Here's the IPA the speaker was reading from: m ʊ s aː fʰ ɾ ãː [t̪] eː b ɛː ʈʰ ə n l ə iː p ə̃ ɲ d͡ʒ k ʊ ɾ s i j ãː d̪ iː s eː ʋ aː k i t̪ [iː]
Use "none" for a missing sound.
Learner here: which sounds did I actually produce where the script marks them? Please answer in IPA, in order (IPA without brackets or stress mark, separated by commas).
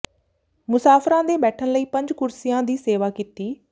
d̪, iː